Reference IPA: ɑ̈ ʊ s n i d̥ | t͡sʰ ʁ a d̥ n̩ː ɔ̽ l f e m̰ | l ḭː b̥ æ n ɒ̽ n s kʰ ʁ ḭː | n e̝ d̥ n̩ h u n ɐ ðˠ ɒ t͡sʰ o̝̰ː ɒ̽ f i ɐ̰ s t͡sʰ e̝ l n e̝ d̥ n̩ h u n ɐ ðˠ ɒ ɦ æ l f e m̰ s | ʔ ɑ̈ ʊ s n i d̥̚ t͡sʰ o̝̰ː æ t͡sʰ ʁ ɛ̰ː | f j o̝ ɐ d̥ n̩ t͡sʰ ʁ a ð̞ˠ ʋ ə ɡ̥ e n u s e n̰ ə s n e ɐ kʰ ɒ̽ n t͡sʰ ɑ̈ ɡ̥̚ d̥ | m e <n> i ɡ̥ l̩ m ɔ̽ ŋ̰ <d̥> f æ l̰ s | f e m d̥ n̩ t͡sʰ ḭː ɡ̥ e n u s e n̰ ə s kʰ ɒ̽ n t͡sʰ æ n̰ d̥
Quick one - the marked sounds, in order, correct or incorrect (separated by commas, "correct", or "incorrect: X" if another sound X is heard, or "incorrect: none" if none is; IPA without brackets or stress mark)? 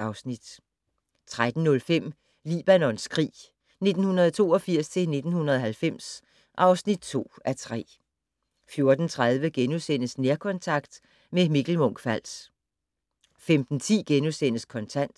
incorrect: m, incorrect: ɡ̥